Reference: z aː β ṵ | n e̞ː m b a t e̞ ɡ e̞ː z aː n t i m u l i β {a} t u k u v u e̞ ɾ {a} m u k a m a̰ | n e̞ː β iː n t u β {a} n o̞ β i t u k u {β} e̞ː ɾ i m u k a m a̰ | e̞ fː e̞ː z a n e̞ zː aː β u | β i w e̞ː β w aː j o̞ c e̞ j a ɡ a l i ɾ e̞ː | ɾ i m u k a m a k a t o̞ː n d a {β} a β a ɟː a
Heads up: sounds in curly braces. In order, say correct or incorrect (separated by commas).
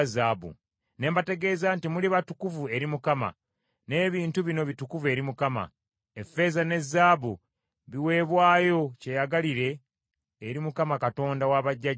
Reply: correct, incorrect, incorrect, incorrect, incorrect